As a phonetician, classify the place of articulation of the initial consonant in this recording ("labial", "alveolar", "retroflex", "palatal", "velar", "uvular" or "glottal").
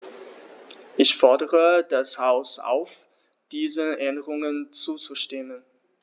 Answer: glottal